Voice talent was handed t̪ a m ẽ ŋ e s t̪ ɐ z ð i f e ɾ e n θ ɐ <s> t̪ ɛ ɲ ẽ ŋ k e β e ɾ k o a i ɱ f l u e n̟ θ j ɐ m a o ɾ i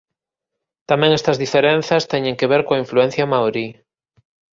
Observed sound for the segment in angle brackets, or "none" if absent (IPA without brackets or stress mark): s